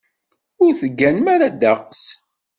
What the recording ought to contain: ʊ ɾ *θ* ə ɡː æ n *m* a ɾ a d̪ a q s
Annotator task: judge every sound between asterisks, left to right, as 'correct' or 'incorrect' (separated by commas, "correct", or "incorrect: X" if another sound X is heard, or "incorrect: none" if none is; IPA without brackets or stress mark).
correct, correct